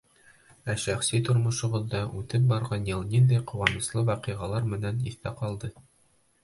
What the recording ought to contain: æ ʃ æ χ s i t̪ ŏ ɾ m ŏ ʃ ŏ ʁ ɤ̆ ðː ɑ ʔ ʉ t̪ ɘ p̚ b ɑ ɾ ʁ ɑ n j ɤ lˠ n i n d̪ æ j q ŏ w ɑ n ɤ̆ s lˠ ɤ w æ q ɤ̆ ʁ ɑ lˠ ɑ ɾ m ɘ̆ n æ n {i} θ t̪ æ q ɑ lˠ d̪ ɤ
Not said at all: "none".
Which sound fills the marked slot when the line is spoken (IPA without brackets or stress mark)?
i